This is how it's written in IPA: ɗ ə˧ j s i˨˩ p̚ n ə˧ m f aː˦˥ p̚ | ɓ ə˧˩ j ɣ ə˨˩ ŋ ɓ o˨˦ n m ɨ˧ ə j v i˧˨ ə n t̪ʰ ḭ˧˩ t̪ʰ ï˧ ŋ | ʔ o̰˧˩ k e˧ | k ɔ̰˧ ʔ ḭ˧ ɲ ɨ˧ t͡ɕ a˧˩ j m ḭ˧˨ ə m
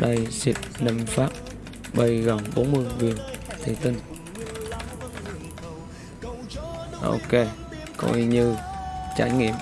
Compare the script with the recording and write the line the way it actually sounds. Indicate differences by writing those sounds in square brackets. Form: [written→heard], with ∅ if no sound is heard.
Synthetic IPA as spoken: ɗ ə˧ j s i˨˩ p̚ n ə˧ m f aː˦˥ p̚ | ɓ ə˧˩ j ɣ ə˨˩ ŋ ɓ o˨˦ n m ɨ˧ ə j v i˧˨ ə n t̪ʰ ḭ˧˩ [t̪ʰ→t̪] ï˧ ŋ | ʔ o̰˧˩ k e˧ | k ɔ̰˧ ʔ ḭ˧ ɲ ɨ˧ t͡ɕ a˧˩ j [m→ŋ] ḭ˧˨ ə m